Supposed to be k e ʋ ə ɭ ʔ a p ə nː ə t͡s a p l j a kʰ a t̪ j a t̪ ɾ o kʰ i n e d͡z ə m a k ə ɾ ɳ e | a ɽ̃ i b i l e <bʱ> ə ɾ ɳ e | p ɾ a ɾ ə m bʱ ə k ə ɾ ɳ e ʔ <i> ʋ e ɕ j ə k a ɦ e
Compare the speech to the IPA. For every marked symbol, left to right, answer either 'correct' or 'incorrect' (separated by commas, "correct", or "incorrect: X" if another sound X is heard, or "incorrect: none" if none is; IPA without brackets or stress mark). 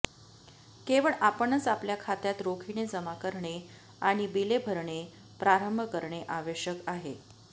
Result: correct, incorrect: a